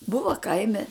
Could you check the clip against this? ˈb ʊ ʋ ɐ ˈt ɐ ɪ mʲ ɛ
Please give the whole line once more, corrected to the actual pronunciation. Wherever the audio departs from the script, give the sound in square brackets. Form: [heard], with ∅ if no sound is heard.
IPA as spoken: ˈb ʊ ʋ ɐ [ˈk] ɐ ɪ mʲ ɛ